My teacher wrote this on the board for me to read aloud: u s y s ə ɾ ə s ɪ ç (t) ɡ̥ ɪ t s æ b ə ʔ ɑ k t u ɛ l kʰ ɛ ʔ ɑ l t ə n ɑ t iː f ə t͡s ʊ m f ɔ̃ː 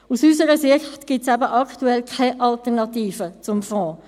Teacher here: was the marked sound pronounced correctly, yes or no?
yes